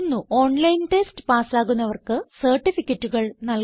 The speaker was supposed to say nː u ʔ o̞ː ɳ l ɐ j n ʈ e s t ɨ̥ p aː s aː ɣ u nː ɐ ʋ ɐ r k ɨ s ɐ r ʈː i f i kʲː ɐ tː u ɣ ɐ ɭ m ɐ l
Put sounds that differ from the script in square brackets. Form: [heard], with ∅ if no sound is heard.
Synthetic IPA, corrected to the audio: nː u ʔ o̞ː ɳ l ɐ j n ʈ e s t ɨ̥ p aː s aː ɣ u nː ɐ ʋ ɐ r k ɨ s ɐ r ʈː i f i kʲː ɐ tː u ɣ ɐ ɭ [n] ɐ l